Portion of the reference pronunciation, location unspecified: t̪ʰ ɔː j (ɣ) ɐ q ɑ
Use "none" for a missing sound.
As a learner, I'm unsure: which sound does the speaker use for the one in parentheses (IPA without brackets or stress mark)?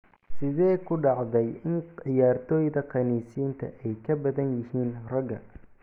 ð